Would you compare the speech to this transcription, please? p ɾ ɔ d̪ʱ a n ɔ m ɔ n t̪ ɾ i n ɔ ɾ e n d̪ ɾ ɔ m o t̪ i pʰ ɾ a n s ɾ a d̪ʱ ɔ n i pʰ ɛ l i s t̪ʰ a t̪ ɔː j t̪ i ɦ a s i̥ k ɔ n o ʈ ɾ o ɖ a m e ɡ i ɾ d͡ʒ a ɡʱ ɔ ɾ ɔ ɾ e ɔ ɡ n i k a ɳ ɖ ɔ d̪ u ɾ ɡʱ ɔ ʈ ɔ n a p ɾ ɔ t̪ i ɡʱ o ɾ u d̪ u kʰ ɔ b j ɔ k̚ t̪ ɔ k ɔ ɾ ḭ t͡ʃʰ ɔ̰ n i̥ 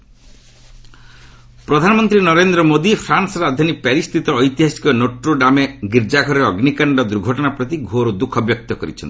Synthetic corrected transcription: p ɾ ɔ d̪ʱ a n ɔ m ɔ n t̪ ɾ i n ɔ ɾ e n d̪ ɾ ɔ m o d̪ i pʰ ɾ a n s ɾ a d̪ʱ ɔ n i p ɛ ɾ i s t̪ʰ i t̪ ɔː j t̪ i ɦ a s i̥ k ɔ n o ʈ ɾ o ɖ a m e ɡ i ɾ d͡ʒ a ɡʱ ɔ ɾ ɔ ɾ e ɔ ɡ n i k a ɳ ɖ ɔ d̪ u ɾ ɡʱ ɔ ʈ ɔ n a p ɾ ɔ t̪ i ɡʱ o ɾ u d̪ u kʰ ɔ b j ɔ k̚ t̪ ɔ k ɔ ɾ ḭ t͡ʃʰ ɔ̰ n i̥

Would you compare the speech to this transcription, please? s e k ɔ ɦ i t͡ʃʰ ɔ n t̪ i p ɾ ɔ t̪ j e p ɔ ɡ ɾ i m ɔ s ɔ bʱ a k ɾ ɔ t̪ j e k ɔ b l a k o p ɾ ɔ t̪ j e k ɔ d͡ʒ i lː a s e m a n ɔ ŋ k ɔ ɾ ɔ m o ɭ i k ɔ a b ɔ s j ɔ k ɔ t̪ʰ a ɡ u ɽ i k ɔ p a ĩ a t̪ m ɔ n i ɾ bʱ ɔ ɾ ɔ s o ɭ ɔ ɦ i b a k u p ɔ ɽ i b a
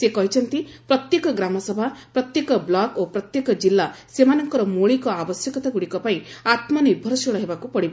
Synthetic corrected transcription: s e k ɔ ɦ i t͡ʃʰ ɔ n t̪ i p ɾ ɔ t̪ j e k ɔ ɡ ɾ a m ɔ s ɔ bʱ a p ɾ ɔ t̪ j e k ɔ b l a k o p ɾ ɔ t̪ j e k ɔ d͡ʒ i lː a s e m a n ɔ ŋ k ɔ ɾ ɔ m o ɭ i k ɔ a b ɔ s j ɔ k ɔ t̪ a ɡ u ɽ i k ɔ p a ĩ a t̪ m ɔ n i ɾ bʱ ɔ ɾ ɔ s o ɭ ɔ ɦ e b a k u p ɔ ɽ i b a

